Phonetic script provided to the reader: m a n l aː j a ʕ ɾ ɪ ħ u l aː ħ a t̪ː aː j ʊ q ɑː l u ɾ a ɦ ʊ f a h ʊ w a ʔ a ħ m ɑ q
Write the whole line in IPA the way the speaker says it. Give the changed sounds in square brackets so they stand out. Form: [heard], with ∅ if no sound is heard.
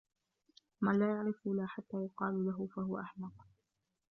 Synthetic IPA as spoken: m a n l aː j a ʕ ɾ ɪ [f] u l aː ħ a t̪ː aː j ʊ q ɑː l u [l] a ɦ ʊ f a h ʊ w a ʔ a ħ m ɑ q